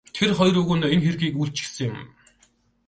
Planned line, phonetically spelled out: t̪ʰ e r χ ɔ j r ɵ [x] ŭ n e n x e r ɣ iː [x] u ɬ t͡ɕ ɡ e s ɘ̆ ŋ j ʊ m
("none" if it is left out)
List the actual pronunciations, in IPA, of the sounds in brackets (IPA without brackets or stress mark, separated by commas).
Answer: ɣ, k